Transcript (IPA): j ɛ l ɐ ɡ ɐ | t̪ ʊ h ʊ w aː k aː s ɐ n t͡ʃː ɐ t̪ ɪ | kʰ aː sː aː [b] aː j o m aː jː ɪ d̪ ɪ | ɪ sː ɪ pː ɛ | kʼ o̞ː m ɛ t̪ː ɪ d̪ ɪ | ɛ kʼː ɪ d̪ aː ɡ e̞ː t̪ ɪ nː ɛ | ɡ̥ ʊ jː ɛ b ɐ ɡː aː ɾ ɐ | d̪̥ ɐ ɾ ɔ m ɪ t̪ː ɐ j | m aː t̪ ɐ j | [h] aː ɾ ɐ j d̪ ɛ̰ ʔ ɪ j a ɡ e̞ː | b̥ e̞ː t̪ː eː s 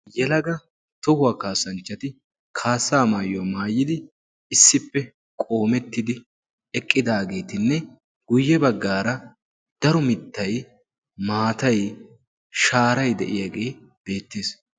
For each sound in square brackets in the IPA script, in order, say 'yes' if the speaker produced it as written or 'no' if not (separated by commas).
no, no